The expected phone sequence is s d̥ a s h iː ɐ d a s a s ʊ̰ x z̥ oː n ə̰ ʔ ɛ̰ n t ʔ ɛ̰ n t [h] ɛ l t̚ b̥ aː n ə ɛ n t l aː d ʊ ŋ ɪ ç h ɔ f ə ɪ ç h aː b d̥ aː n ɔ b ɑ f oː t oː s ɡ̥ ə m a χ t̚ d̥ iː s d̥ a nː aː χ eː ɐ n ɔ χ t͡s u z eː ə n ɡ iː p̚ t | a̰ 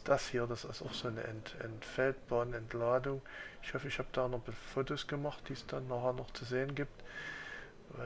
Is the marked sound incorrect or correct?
incorrect